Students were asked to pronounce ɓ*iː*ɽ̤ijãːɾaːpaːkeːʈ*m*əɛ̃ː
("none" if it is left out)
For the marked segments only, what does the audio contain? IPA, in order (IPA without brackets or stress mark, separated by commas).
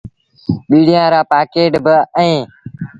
iː, b